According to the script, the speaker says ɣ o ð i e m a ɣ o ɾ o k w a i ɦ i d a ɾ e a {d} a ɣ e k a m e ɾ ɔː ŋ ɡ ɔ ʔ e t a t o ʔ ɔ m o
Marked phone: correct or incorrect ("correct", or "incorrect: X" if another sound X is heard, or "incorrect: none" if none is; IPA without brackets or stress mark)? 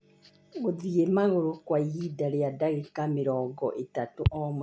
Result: correct